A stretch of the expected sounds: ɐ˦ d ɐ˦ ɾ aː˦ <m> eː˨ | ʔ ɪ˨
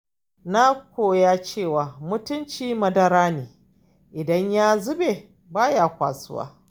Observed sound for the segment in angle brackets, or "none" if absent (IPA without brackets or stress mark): n